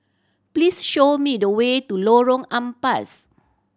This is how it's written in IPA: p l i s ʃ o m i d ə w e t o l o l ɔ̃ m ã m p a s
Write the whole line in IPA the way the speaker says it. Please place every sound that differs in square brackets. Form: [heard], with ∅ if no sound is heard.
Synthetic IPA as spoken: p l i s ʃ o m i d ə w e t [u] l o [ɹ] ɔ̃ [ŋ] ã m p a s